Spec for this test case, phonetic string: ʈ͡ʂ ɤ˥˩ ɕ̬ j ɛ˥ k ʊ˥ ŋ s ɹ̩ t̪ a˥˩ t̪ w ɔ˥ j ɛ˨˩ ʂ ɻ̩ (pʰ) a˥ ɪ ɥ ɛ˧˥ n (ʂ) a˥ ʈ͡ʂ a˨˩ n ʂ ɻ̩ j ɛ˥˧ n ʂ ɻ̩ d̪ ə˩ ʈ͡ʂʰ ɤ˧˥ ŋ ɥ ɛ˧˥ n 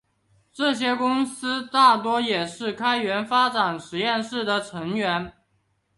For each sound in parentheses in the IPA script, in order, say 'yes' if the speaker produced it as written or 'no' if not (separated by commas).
no, no